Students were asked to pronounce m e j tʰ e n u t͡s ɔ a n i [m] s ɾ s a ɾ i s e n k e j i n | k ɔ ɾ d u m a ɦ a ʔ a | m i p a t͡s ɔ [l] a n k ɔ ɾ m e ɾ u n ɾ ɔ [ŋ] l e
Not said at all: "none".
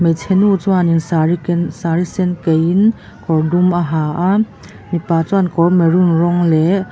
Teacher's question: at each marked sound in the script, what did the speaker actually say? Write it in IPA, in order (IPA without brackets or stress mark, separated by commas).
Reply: ŋ, none, ŋ